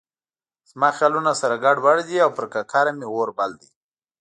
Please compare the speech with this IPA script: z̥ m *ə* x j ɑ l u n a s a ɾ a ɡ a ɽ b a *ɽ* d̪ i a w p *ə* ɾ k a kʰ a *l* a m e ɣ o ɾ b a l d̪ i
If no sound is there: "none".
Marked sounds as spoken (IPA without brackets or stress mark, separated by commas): ɑ, ɽ, ə, ɾ